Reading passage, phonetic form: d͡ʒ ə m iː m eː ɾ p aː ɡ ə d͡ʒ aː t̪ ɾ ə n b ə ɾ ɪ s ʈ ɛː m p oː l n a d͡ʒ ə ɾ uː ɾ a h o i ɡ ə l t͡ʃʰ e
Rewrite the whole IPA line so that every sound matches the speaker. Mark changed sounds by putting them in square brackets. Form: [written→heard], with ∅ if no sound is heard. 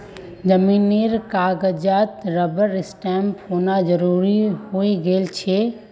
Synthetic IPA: d͡ʒ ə m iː [m→n] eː ɾ [p→k] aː ɡ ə d͡ʒ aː t̪ ɾ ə [n→∅] b ə ɾ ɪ s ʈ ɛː m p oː [l→∅] n a d͡ʒ ə ɾ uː ɾ [a→i] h o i ɡ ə l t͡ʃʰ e